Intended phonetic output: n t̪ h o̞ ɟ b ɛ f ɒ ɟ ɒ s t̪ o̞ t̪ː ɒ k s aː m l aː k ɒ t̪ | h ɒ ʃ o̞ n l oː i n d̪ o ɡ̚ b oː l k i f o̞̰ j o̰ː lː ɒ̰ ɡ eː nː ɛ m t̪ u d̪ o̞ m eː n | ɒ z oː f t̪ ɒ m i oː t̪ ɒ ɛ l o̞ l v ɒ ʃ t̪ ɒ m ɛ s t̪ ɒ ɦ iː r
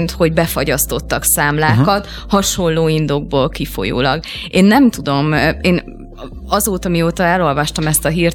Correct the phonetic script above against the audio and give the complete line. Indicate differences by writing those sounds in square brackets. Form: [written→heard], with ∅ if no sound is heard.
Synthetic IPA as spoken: n t̪ h o̞ ɟ b ɛ f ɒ ɟ ɒ s t̪ o̞ t̪ː ɒ k s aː m l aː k ɒ t̪ | h ɒ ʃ o̞ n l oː i n d̪ o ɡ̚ b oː l k i f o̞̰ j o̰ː [lː→l] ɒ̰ ɡ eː nː ɛ m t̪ u d̪ o̞ m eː n | ɒ z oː [f→∅] t̪ ɒ m i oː t̪ ɒ ɛ l o̞ l v ɒ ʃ t̪ ɒ m ɛ s t̪ ɒ ɦ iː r